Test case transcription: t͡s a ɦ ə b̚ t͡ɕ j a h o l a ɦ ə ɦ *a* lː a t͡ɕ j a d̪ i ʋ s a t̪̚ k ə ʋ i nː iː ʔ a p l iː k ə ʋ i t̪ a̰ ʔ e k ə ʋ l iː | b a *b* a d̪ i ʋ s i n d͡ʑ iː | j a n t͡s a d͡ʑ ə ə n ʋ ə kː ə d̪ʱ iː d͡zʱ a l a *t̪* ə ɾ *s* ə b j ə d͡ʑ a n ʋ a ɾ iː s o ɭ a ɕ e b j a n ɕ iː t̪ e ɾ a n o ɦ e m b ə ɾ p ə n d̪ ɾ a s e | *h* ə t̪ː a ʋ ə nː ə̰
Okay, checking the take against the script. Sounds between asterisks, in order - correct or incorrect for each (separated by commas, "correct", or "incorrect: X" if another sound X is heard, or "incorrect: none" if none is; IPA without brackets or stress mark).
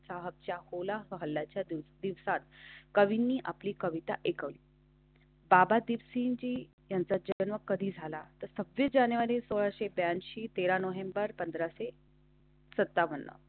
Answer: incorrect: ə, correct, correct, correct, incorrect: s